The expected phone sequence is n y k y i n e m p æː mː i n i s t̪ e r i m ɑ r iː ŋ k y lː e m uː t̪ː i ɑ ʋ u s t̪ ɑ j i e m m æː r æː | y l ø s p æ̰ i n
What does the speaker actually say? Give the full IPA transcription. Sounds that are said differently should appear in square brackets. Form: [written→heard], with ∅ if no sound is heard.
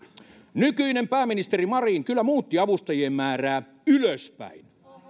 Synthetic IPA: n y k y i n e m p æː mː i n i s t̪ e r i m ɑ r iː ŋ k y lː [e→æ] m uː t̪ː i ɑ ʋ u s t̪ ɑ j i e m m æː r æː | y l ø s p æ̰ i n